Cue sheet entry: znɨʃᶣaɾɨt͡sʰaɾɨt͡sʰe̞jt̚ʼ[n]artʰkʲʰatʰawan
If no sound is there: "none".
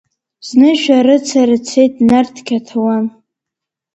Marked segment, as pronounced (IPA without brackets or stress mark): n